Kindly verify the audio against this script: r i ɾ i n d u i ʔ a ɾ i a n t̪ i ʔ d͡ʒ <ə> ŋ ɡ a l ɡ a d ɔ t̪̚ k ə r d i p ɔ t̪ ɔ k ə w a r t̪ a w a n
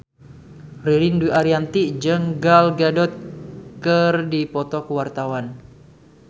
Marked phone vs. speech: correct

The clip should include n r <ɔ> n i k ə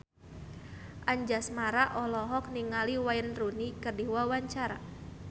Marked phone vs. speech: incorrect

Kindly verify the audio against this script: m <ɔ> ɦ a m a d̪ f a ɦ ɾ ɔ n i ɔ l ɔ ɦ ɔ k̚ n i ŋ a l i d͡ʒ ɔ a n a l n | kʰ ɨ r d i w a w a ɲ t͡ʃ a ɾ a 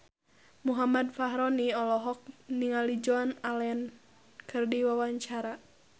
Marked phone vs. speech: incorrect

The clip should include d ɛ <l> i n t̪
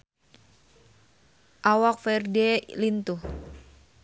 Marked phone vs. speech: correct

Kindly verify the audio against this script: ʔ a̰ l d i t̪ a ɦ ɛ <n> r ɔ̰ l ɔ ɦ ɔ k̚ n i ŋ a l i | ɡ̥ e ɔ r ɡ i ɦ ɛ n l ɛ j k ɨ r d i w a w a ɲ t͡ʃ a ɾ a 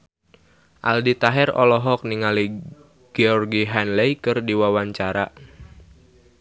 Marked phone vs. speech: incorrect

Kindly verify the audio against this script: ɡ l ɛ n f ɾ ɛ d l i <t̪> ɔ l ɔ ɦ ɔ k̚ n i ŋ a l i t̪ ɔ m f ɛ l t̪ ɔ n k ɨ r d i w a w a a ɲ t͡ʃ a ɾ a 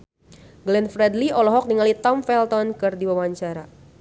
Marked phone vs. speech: incorrect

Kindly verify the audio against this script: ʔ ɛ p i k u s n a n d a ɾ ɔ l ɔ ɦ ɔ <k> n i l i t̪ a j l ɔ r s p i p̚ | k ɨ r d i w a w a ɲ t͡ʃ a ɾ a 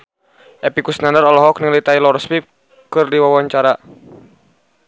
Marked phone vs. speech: correct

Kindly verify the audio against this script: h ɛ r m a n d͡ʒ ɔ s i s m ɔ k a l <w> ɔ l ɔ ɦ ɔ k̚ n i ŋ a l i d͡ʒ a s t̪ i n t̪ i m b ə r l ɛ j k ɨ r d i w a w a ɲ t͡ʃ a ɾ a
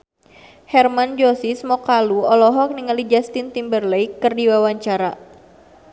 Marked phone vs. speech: incorrect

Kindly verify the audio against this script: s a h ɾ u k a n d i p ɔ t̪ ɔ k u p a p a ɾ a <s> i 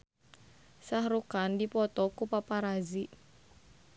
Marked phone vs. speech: incorrect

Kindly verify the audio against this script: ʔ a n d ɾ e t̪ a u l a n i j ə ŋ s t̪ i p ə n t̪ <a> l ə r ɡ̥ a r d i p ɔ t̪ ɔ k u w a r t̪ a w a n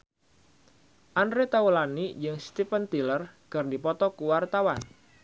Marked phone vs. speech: incorrect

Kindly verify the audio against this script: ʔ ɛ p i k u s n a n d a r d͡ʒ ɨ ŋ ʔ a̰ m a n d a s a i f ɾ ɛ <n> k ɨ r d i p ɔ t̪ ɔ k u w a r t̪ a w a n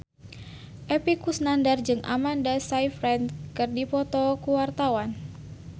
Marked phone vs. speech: correct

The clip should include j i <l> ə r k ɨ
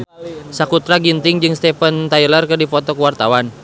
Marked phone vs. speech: correct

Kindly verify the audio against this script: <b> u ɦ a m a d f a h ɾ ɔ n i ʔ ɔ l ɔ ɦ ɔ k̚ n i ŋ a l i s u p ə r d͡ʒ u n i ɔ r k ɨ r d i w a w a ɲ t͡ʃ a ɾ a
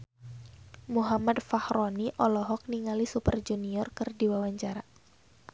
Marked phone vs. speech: incorrect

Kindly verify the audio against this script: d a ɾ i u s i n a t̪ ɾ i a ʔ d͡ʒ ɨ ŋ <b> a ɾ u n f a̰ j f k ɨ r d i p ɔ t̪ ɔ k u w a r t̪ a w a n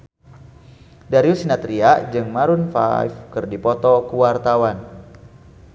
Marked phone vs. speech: incorrect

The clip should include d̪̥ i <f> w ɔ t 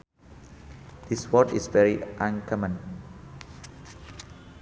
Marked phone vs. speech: incorrect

